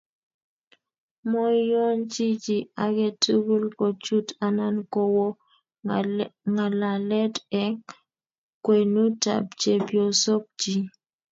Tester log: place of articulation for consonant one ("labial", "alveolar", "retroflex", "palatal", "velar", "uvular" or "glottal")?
labial